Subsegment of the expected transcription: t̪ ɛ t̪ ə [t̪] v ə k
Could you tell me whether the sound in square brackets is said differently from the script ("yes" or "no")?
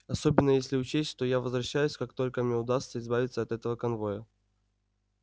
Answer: yes